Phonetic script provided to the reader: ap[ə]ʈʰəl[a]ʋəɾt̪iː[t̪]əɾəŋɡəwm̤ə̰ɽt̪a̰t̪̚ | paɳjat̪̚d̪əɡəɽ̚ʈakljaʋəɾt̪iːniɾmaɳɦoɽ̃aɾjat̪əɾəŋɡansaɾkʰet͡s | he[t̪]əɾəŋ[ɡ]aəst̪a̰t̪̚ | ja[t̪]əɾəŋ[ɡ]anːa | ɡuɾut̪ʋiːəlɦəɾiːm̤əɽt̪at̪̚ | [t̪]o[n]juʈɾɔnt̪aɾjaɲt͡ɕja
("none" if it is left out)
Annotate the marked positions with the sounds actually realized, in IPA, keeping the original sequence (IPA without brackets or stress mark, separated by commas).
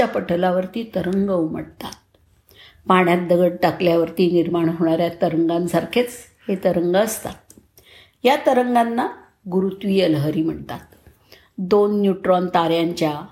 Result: ə, a, t̪, t̪, ɡ, t̪, ɡ, d̪, nː